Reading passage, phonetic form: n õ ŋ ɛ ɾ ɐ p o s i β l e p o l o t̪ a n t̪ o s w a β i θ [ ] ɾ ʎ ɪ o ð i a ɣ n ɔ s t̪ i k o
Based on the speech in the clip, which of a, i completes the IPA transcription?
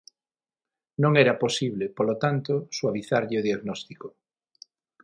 a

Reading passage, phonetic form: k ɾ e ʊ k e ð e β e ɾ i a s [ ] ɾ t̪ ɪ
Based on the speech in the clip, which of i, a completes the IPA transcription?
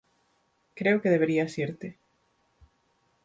i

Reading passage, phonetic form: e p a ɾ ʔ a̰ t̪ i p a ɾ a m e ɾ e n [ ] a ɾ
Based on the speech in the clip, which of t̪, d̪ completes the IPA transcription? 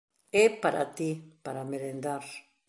d̪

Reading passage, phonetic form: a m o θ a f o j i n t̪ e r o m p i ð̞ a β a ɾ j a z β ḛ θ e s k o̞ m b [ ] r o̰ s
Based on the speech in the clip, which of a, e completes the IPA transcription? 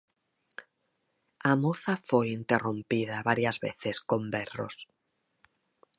e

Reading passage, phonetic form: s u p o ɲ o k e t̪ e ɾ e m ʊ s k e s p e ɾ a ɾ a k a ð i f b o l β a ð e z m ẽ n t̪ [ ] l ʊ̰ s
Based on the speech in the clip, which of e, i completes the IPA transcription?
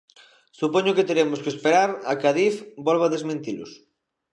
i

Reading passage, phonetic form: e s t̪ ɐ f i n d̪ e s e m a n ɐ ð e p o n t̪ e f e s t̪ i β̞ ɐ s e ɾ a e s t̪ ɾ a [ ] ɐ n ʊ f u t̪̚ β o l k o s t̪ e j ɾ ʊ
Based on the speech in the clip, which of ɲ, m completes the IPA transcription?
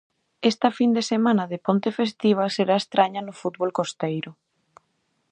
ɲ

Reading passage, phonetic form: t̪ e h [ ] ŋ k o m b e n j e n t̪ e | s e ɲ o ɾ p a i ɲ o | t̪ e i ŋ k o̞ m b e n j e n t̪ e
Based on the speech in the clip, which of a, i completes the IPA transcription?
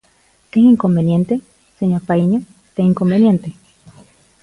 i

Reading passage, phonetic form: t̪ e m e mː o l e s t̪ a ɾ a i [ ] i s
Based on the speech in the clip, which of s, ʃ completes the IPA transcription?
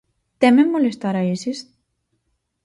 s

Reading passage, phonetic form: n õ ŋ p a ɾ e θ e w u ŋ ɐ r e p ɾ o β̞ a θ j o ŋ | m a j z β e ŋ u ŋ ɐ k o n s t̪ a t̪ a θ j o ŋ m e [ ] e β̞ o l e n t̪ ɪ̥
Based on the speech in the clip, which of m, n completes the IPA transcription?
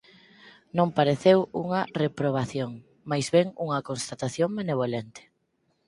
n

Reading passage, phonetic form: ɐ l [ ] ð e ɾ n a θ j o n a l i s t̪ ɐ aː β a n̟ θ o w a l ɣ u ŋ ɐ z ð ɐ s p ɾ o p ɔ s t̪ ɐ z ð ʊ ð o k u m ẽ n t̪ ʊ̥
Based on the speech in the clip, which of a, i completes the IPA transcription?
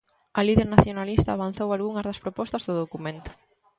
i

